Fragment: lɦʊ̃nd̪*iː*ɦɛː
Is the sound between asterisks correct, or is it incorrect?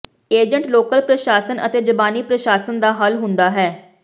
incorrect: aː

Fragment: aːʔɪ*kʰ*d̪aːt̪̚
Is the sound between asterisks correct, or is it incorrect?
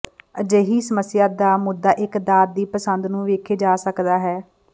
incorrect: k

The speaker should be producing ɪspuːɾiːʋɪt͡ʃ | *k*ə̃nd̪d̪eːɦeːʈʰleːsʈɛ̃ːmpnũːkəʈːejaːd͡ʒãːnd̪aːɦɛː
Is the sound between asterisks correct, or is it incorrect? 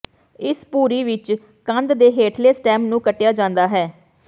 correct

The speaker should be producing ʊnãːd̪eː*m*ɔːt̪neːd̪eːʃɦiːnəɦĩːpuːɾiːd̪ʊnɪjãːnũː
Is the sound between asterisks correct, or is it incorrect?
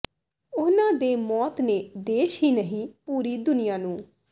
correct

